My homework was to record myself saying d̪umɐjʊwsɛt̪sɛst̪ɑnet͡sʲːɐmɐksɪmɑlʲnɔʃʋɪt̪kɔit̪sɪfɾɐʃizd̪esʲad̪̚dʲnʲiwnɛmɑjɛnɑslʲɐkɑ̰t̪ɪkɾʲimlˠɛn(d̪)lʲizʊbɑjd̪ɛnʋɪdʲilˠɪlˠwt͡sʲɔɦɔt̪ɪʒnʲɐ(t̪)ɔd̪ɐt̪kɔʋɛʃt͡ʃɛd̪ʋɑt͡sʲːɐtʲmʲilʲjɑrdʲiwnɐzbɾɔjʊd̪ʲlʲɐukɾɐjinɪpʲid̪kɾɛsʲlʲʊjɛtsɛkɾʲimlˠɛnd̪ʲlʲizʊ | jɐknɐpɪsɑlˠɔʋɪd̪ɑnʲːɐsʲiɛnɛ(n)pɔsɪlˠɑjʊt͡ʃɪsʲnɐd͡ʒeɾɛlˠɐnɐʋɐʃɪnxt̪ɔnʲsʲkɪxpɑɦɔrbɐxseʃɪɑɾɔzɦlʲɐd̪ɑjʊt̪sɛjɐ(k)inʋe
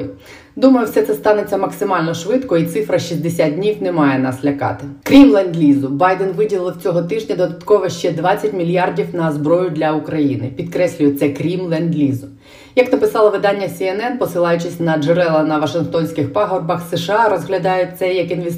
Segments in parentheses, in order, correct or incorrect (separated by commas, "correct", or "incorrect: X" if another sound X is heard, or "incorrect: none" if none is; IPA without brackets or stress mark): correct, incorrect: d̪, correct, correct